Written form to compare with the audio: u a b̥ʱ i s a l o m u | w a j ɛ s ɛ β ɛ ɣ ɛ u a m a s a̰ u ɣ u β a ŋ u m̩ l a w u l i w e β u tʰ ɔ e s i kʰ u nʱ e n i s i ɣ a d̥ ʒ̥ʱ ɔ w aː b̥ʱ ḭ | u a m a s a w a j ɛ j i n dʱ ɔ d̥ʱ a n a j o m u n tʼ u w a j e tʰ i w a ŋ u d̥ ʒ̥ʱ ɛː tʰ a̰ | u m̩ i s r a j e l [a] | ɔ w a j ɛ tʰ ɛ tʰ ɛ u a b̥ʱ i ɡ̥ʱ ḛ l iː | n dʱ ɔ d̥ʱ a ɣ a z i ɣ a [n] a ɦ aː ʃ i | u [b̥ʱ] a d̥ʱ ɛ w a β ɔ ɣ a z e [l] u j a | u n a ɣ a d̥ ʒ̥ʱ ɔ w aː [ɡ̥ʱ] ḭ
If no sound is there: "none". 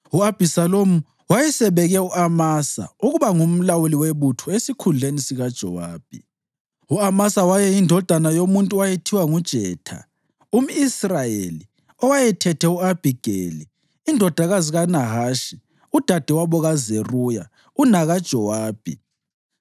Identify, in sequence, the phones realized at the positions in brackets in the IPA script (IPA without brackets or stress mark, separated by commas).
i, n, d̥ʱ, r, b̥ʱ